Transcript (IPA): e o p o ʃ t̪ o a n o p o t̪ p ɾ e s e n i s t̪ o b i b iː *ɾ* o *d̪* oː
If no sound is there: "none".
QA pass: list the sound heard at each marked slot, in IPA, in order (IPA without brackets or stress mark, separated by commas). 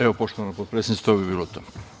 l, t̪